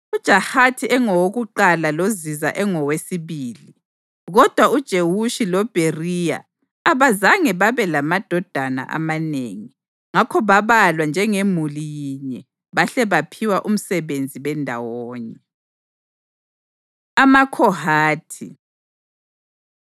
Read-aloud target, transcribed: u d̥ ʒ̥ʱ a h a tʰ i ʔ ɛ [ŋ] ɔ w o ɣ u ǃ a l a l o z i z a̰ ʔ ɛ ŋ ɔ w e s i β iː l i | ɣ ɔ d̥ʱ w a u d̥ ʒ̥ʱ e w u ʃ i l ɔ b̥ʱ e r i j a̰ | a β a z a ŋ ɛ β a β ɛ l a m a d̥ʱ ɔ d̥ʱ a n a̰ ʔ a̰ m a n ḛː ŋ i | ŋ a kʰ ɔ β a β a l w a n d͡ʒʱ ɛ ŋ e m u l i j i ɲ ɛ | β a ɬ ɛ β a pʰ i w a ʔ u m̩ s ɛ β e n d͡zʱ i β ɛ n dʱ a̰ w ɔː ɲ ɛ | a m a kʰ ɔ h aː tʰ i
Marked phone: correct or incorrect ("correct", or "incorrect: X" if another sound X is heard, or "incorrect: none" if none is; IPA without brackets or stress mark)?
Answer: correct